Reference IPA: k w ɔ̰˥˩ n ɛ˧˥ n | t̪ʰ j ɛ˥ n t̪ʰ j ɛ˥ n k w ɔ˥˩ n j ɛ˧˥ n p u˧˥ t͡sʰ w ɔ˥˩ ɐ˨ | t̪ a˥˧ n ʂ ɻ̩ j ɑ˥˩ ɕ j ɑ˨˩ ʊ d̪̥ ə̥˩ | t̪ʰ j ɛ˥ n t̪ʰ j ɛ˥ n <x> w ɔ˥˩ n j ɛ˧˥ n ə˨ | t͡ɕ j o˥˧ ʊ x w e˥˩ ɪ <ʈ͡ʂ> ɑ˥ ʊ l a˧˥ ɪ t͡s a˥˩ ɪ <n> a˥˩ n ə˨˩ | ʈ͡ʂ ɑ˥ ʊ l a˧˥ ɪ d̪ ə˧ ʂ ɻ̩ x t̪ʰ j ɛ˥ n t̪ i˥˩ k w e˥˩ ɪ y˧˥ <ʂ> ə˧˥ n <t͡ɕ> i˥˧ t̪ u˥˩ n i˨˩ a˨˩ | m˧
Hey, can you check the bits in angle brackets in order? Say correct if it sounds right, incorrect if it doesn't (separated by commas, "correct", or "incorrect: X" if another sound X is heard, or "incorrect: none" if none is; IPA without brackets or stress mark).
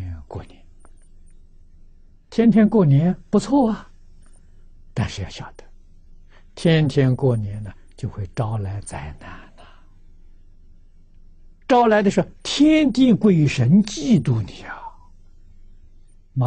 incorrect: k, correct, correct, correct, correct